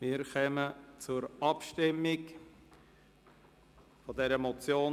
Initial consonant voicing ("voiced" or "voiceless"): voiced